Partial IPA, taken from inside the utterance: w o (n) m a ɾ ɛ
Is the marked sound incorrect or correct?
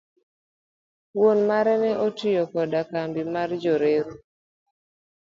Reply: correct